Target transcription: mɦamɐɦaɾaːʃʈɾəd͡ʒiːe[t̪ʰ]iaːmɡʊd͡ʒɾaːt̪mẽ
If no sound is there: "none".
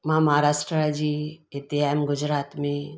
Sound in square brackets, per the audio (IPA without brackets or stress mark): t̪